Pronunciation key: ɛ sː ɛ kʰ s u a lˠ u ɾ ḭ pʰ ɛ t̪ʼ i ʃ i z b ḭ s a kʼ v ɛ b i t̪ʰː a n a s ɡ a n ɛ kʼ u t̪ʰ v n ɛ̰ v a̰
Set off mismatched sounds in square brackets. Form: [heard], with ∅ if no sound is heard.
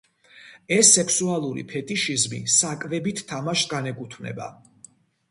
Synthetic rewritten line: ɛ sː ɛ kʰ s u a lˠ u ɾ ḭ pʰ ɛ t̪ʼ i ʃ i z [m] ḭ s a kʼ v ɛ b i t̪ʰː a [m] a [ʃ] ɡ a n ɛ kʼ u t̪ʰ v n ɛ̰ [b] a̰